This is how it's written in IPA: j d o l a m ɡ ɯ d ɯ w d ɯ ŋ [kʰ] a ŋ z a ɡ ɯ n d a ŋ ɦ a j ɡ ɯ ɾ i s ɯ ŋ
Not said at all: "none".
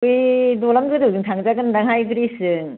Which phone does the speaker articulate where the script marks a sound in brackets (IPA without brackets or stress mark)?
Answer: tʰ